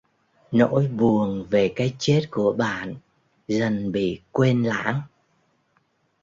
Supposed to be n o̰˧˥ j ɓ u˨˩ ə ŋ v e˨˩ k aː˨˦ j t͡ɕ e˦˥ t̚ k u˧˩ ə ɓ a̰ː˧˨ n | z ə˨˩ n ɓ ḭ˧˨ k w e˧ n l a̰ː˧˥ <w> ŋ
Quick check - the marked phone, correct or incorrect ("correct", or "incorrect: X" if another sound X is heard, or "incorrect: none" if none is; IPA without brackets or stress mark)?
incorrect: none